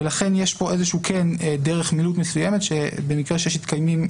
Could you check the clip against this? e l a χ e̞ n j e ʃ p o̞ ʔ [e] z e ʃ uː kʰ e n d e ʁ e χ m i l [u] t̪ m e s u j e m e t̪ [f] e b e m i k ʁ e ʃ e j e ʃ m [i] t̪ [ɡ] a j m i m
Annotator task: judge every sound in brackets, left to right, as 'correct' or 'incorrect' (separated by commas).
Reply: correct, correct, incorrect, correct, incorrect